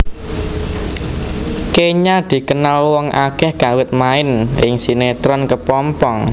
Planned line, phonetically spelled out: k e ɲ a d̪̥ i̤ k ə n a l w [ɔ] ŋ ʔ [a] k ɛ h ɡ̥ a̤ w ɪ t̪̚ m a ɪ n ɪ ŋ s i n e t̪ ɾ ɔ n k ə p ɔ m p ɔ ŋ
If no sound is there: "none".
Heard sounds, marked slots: ɔ, a

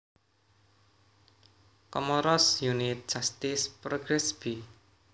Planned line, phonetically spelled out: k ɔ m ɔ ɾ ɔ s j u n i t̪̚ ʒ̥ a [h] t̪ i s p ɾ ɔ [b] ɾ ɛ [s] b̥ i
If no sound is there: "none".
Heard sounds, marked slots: s, ɡ, s

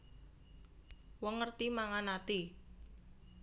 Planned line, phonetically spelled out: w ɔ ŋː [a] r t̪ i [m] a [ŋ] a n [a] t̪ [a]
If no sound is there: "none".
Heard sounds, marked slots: ə, m, ŋ, a, i

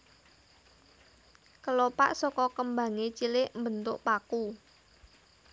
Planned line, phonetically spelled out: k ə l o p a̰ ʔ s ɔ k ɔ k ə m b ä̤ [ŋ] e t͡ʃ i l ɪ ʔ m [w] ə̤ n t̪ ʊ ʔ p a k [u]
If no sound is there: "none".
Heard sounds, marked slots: ŋ, b, u

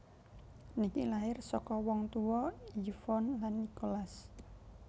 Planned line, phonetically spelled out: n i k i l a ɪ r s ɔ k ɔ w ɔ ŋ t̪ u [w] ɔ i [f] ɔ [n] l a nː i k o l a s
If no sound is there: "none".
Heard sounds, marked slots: w, f, n

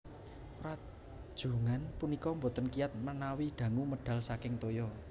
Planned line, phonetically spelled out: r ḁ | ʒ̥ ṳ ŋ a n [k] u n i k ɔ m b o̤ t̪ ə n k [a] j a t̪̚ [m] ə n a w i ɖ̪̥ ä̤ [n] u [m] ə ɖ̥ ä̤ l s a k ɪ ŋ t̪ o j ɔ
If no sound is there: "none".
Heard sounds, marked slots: p, i, m, ŋ, m

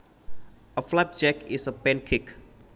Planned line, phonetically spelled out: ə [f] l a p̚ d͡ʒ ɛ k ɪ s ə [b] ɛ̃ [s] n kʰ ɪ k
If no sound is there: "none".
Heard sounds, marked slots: f, p, none

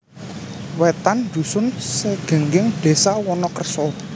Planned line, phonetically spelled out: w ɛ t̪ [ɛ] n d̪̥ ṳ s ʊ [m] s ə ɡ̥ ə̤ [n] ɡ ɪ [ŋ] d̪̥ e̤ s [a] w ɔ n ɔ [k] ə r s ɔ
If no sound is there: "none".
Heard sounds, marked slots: a, n, ŋ, ŋ, a, k

